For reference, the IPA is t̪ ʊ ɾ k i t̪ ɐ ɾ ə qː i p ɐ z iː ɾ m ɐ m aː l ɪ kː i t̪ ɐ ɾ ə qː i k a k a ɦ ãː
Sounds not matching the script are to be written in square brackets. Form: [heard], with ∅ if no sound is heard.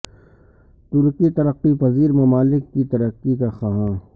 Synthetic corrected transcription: t̪ ʊ ɾ k i t̪ ɐ ɾ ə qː i p ɐ z iː ɾ m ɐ m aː l ɪ kː i t̪ ɐ ɾ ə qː i k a [x] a ɦ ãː